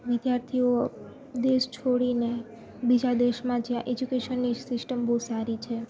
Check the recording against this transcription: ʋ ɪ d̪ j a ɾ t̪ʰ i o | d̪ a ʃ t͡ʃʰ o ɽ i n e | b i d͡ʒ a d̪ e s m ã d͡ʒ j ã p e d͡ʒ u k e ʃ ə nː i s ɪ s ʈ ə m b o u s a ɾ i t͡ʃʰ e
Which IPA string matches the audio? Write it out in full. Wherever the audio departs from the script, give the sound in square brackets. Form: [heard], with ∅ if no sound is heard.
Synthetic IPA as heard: ʋ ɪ d̪ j a ɾ t̪ʰ i o | d̪ [e] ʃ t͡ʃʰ o ɽ i n e | b i d͡ʒ a d̪ e [ʃ] m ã d͡ʒ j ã [ʔ] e d͡ʒ u k e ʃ ə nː i s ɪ s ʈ ə m b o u s a ɾ i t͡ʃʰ e